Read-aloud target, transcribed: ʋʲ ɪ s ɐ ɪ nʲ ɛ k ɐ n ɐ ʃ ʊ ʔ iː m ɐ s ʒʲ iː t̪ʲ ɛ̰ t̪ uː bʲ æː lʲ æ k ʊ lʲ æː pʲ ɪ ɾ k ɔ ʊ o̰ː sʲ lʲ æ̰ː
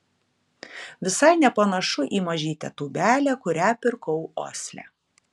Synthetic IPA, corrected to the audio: ʋʲ ɪ s ɐ ɪ nʲ ɛ p ɐ n ɐ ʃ ʊ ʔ iː m ɐ ʒʲ iː t̪ʲ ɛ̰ t̪ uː bʲ æː lʲ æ k ʊ ɾʲ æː pʲ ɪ ɾ k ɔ ʊ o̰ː sʲ lʲ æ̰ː